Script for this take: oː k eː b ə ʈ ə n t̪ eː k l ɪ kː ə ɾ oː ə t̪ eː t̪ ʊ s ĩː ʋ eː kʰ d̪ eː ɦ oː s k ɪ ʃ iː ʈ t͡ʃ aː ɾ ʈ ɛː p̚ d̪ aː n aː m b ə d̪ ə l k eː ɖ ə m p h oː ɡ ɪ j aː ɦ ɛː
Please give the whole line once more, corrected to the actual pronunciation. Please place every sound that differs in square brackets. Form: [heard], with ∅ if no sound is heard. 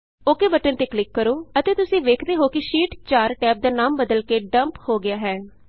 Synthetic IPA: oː k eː b ə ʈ ə n t̪ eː k l ɪ kː ə ɾ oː ə t̪ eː t̪ ʊ s ĩː ʋ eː kʰ d̪ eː ɦ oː [∅] k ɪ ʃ iː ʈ t͡ʃ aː ɾ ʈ ɛː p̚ d̪ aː n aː m b ə d̪ ə l k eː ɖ ə m p h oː ɡ ɪ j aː ɦ ɛː